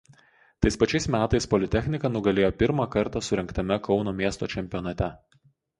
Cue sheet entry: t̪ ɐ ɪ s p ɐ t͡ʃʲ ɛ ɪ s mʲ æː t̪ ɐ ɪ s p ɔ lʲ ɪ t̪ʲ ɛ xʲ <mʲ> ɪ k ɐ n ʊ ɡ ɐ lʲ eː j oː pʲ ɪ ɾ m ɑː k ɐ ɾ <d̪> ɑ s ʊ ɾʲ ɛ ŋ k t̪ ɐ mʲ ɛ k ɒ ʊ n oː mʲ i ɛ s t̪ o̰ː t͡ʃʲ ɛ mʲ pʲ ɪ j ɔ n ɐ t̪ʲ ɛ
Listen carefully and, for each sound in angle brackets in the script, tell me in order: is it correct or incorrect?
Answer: incorrect, incorrect

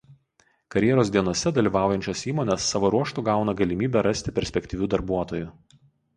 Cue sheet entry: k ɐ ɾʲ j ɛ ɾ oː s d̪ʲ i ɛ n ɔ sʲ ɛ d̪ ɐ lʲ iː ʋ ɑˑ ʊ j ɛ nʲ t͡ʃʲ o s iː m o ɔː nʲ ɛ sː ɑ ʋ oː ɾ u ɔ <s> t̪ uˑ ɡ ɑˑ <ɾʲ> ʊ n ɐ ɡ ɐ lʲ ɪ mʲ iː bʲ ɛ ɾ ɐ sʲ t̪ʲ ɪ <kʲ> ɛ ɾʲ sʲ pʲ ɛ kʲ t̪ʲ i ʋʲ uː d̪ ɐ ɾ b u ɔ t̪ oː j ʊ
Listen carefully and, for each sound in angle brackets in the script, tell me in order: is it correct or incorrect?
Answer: incorrect, incorrect, incorrect

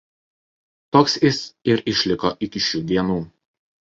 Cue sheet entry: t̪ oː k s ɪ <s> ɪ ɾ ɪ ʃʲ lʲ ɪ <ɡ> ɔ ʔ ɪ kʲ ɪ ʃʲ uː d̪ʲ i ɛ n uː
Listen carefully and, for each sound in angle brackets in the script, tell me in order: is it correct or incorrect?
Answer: correct, incorrect

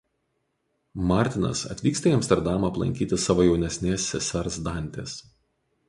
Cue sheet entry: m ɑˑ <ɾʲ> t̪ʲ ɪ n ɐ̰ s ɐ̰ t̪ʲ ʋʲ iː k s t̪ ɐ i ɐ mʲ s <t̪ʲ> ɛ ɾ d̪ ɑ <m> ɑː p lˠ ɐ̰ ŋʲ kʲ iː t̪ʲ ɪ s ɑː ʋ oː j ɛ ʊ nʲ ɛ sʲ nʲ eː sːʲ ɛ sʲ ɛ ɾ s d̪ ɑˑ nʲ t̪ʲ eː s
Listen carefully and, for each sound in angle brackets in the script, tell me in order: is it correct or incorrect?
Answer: correct, correct, correct

